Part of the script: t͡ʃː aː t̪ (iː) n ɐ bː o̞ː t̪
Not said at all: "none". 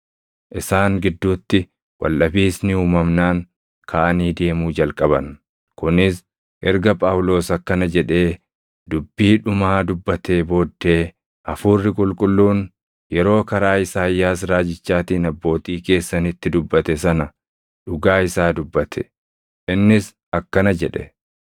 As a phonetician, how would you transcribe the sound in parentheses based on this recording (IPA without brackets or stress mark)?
iː